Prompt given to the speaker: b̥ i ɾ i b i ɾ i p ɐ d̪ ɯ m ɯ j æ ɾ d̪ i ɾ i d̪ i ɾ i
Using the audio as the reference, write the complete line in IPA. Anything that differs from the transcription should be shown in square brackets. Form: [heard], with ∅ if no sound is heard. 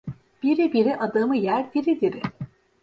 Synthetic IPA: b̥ i ɾ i b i ɾ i [ʔ] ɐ d̪ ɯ m ɯ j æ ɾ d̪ i ɾ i d̪ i ɾ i

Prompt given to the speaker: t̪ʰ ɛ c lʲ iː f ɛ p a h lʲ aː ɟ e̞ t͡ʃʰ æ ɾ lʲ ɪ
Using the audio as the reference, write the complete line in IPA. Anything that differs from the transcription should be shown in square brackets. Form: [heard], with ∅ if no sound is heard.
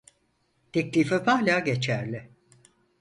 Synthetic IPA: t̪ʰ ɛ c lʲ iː f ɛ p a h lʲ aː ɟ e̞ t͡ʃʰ æ ɾ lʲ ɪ

